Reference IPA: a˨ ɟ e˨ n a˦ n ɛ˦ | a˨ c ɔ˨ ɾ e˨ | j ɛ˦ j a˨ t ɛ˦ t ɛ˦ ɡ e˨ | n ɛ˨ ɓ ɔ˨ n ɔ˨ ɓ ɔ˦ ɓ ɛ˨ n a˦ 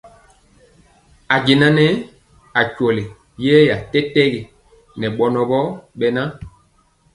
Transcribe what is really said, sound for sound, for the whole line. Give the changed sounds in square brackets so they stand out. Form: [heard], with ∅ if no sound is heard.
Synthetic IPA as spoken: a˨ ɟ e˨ n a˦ n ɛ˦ | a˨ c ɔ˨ [l] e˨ | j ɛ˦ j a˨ t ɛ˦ t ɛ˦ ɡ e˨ | n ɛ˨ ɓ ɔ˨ n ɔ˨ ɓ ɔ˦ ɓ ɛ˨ n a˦

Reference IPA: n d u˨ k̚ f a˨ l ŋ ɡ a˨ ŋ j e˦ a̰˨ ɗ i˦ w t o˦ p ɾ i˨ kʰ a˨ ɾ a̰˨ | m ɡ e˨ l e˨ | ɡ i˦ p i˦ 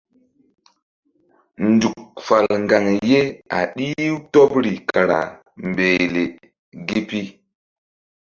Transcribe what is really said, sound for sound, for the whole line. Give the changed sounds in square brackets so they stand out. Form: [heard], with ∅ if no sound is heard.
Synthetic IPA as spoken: n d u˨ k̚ f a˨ l ŋ ɡ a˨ ŋ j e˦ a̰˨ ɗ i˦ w t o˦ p ɾ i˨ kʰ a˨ ɾ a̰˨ | m [b] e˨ l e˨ | ɡ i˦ p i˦

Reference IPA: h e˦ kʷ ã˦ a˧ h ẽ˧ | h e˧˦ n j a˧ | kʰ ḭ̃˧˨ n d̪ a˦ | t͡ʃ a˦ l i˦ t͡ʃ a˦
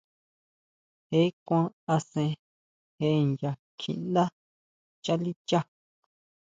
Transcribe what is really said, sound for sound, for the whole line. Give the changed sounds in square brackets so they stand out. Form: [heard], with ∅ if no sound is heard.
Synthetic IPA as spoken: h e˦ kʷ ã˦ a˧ [s] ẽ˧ | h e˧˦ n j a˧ | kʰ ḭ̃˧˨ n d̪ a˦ | t͡ʃ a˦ l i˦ t͡ʃ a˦

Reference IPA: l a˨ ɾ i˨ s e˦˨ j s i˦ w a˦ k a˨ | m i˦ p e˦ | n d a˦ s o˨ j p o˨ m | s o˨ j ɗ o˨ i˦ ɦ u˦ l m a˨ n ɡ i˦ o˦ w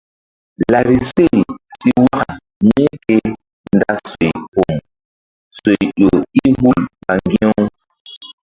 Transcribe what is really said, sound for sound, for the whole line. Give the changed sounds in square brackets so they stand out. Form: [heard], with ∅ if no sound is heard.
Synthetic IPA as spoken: l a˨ ɾ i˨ s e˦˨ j s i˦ w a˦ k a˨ | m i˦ [k] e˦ | n d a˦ s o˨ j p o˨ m | s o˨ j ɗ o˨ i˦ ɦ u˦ l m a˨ [ŋ] ɡ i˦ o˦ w

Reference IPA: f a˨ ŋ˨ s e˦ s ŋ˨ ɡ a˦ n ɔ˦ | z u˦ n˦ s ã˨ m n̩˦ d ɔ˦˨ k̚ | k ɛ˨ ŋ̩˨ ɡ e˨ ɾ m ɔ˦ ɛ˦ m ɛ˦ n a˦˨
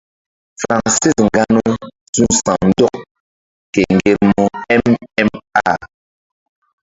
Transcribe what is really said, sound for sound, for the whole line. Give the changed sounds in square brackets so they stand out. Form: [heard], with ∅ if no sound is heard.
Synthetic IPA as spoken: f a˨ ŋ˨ s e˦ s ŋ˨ ɡ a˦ n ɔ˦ | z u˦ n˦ s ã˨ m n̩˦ d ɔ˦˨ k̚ | k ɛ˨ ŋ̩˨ ɡ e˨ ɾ m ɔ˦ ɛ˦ m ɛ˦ [m] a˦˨

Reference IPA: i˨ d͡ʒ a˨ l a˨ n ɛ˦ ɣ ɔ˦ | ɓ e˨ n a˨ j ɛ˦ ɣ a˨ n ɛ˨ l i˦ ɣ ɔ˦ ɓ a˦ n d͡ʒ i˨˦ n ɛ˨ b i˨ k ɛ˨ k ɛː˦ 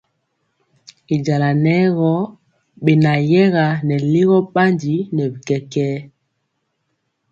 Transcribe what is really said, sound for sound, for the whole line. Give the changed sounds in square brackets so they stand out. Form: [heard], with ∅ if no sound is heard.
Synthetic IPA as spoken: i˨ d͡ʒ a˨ l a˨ n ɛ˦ ɣ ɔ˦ | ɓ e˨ n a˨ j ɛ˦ ɣ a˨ n ɛ˨ l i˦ ɣ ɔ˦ ɓ a˦ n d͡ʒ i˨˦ n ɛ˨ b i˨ k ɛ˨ k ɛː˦

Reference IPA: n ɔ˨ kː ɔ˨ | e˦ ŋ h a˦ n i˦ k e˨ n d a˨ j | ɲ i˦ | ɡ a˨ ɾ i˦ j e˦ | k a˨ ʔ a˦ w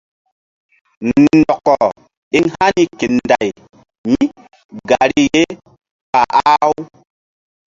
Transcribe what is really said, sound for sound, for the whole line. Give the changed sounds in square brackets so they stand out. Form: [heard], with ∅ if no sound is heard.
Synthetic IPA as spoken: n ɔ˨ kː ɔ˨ | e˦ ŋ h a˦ n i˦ k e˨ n d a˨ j | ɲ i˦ | ɡ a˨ ɾ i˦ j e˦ | k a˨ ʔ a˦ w

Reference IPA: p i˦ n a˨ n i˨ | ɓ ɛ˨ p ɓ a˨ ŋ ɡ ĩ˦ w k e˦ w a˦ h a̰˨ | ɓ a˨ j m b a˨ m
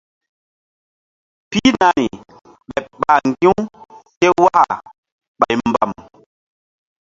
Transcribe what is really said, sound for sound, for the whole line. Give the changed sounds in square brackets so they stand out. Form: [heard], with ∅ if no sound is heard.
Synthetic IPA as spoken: p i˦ n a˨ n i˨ | ɓ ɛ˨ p ɓ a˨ ŋ ɡ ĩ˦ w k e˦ w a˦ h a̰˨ | ɓ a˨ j m b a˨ m

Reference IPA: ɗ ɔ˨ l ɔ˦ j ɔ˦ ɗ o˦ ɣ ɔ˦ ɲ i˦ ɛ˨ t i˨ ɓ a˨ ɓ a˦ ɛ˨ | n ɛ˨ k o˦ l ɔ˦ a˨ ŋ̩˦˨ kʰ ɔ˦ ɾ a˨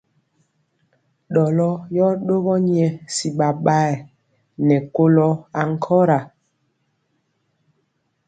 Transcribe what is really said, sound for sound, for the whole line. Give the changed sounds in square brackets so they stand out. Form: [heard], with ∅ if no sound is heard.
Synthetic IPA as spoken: ɗ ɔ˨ l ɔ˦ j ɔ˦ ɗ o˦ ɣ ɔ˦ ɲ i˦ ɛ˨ [s] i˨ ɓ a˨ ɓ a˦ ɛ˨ | n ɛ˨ k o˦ l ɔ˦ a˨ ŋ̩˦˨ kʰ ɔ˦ ɾ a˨

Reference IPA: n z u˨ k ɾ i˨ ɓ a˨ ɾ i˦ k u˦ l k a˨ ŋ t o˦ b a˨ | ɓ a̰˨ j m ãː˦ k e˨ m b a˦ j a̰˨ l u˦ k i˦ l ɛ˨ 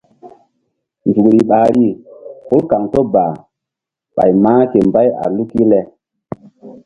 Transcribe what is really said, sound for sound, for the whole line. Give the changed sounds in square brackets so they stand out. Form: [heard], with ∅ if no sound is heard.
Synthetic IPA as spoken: n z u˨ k ɾ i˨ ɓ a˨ ɾ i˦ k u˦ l k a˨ ŋ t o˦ b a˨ | ɓ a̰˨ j m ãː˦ k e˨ m b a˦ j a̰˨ l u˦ k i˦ l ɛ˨

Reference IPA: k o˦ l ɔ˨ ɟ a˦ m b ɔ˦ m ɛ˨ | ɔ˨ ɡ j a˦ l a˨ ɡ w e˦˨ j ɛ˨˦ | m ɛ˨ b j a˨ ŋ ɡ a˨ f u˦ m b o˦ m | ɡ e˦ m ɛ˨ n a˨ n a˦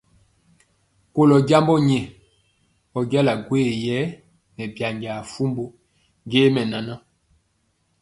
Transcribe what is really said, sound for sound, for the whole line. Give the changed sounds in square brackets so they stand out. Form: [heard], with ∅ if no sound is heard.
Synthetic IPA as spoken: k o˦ l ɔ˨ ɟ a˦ m b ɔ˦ [ɲ] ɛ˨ | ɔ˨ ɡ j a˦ l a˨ ɡ w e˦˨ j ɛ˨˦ | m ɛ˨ b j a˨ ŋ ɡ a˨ f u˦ m b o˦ [∅] | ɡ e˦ m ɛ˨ n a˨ n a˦

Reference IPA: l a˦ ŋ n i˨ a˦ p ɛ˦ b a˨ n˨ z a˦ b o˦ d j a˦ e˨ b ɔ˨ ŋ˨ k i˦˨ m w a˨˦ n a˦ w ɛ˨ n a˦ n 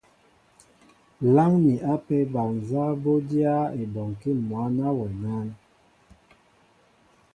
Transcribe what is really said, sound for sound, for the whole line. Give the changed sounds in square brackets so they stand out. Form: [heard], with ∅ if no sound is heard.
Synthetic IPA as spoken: l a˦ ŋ n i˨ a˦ p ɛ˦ b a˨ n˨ z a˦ b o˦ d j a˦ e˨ b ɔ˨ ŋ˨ k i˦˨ m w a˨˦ n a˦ w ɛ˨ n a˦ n

